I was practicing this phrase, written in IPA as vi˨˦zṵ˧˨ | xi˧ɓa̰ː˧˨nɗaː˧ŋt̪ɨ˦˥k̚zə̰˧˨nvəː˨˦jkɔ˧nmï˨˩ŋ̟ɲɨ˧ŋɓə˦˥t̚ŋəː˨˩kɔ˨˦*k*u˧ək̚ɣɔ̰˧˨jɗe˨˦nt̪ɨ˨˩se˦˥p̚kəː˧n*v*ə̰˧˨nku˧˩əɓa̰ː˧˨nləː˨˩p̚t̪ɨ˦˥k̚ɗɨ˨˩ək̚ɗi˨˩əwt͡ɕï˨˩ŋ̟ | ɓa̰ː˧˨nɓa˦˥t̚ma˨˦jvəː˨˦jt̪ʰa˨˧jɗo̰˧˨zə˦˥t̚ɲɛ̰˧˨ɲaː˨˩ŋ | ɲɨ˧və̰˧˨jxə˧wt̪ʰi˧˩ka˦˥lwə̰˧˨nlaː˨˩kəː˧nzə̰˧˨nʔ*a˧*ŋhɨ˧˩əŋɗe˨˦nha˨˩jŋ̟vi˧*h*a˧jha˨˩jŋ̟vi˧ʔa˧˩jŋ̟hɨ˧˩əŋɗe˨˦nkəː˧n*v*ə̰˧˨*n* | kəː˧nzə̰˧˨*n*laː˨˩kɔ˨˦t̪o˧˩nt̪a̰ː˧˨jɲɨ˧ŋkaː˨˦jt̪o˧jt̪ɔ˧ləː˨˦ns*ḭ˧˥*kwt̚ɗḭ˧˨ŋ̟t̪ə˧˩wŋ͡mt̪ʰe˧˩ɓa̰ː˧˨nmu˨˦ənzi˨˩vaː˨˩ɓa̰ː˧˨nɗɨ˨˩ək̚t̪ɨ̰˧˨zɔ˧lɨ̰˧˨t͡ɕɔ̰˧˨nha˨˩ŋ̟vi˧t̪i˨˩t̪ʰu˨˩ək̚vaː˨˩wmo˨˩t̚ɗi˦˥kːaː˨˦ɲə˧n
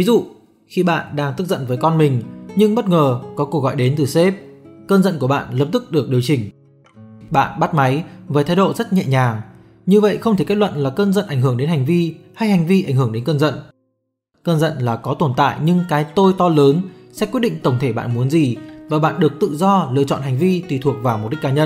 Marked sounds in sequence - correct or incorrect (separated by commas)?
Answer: correct, incorrect, incorrect, correct, incorrect, correct, correct, incorrect